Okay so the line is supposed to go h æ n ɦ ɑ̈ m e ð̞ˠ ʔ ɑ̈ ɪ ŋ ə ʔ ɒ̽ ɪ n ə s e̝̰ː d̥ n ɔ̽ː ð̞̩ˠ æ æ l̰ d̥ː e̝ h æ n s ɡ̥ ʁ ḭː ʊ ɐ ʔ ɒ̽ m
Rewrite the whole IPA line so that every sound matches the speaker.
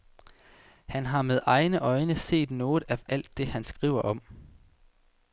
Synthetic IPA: h æ n ɦ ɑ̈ m e ð̞ˠ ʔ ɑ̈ ɪ n ə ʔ ɒ̽ ɪ n ə s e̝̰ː d̥ n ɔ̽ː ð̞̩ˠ æ æ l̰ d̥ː e̝ h æ n s ɡ̥ ʁ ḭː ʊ ɐ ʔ ɒ̽ m